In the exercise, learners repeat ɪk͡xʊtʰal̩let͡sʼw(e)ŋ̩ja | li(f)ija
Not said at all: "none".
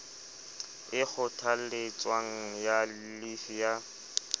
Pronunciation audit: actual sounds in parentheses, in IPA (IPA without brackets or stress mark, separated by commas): a, f